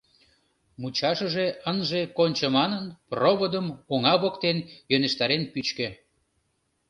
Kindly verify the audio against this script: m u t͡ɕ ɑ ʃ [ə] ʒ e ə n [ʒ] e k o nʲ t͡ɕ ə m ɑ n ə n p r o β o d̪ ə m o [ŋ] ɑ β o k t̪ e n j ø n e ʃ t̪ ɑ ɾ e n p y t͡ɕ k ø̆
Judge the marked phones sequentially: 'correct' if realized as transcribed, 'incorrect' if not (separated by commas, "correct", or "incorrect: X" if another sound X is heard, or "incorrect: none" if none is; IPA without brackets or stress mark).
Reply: correct, correct, correct